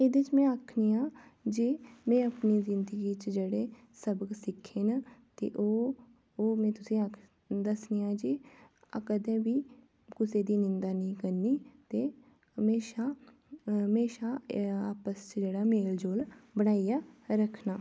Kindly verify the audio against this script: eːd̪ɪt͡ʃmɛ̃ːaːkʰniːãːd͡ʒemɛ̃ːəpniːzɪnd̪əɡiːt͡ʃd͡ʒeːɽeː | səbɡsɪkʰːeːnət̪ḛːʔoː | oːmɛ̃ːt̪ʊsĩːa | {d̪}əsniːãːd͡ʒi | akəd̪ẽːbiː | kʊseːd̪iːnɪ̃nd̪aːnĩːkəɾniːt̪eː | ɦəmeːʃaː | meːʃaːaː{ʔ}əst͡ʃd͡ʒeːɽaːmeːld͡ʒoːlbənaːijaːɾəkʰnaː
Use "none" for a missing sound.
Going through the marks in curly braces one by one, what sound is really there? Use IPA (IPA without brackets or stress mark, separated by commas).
d̪, p